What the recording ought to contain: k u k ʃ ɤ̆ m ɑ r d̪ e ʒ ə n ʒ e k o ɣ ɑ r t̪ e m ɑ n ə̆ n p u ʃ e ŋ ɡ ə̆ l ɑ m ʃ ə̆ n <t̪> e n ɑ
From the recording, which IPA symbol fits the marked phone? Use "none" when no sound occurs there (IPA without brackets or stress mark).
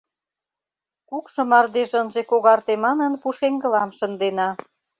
d̪